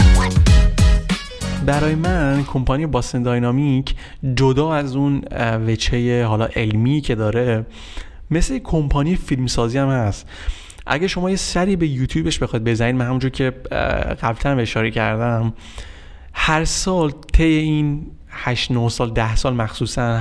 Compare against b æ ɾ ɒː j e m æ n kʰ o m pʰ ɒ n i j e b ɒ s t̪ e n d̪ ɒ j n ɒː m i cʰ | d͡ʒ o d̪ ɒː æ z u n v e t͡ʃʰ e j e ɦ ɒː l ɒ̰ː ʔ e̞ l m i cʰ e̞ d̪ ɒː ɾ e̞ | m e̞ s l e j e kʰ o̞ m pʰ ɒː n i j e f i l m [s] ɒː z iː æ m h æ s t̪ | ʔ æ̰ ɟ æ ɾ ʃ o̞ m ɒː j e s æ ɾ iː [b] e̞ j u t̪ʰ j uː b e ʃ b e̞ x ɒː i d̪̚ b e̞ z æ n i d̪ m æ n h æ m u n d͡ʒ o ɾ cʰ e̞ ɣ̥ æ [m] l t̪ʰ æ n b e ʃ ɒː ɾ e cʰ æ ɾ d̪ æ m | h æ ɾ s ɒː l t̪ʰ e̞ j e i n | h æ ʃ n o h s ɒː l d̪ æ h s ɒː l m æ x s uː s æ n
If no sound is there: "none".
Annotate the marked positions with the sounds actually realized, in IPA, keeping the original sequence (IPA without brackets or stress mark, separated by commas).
s, b, b